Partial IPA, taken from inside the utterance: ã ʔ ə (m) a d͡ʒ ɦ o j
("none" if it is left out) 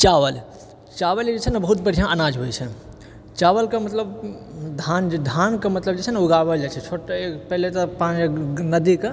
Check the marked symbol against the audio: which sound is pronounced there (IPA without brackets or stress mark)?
n